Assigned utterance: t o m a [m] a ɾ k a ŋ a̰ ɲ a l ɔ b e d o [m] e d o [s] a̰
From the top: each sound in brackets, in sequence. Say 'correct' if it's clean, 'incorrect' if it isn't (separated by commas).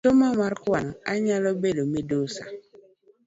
correct, correct, correct